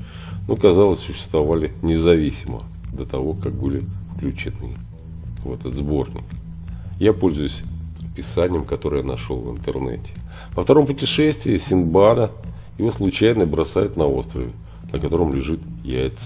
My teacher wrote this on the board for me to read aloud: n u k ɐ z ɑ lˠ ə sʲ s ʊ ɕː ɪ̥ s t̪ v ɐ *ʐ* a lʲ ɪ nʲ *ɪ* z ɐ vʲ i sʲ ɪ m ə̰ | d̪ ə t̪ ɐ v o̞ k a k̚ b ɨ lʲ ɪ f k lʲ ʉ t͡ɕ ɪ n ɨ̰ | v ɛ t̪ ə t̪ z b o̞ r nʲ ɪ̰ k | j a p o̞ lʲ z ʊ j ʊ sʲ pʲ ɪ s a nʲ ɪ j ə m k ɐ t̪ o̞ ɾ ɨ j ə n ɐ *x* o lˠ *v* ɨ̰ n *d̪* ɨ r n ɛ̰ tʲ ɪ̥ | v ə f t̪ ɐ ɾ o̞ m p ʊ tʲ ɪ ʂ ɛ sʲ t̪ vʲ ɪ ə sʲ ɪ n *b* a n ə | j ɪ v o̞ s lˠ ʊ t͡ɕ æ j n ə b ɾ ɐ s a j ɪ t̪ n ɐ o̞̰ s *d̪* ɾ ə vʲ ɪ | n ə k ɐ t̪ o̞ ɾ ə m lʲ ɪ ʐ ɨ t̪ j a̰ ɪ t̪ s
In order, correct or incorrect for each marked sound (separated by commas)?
incorrect, correct, incorrect, correct, incorrect, correct, incorrect